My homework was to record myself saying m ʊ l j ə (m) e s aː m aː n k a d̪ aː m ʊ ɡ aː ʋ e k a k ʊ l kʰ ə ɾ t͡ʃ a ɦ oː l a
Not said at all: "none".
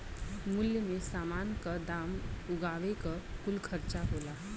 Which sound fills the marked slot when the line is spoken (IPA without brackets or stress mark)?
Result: m